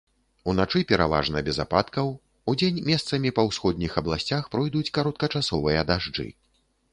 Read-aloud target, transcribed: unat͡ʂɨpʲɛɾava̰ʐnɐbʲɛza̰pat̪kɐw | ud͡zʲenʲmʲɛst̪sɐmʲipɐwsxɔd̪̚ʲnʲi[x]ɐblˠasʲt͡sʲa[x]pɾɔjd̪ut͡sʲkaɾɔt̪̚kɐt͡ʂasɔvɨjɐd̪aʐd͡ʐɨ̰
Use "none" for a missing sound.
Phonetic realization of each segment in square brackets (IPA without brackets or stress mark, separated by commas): x, x